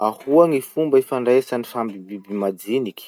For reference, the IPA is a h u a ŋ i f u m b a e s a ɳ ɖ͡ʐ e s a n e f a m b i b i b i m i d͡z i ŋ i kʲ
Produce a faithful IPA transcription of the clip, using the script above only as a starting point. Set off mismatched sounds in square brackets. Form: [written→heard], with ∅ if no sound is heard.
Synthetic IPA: a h u a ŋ i f u m b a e [s→f] a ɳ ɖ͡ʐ e s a n [e→i] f a m b i b i b i m [i→a] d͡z i [ŋ→n] i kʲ